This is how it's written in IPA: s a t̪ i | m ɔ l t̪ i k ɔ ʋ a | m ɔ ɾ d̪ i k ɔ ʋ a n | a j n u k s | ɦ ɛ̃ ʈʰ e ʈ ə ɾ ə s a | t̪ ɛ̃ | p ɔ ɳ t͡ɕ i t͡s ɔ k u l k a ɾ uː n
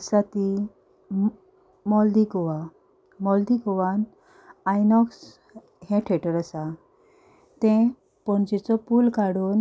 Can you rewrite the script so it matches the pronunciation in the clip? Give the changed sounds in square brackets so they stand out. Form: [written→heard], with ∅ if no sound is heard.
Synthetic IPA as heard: s a t̪ i | m ɔ l [t̪→d̪] i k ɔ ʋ a | m ɔ [ɾ→l] d̪ i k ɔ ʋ a n | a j n [u→ɔ] k s | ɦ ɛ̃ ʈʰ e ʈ ə ɾ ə s a | t̪ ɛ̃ | p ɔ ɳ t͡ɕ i t͡s ɔ [k→p] u l k a [ɾ→ɽ] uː n